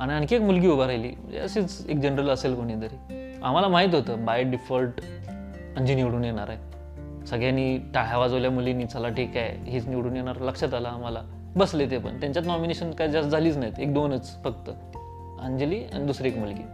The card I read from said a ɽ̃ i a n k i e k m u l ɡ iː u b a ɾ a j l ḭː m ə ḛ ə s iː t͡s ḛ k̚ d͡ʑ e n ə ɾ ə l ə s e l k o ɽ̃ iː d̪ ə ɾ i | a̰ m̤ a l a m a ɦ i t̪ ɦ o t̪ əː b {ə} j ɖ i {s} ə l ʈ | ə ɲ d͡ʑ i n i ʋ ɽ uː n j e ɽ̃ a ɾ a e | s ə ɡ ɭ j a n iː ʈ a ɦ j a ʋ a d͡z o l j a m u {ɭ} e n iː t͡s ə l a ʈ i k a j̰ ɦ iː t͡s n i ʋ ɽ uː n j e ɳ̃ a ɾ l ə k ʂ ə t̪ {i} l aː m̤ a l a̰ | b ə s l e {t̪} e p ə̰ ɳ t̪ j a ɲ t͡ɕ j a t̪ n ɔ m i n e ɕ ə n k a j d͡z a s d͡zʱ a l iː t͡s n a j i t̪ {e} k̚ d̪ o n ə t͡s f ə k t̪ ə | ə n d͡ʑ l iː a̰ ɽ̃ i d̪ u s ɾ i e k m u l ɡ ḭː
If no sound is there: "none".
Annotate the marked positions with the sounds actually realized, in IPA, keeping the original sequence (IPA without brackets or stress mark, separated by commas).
a, f, l, a, t̪, e